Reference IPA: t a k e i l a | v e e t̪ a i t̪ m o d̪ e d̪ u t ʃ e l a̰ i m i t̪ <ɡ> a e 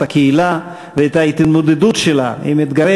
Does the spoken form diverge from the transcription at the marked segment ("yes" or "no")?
no